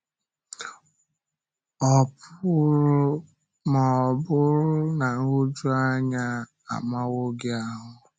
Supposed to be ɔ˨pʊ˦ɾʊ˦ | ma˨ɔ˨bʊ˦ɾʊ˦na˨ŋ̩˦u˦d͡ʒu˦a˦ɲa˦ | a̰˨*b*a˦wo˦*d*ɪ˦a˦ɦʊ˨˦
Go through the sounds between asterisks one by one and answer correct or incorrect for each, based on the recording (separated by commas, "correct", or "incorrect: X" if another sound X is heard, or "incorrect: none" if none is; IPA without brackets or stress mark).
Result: incorrect: m, incorrect: ɡ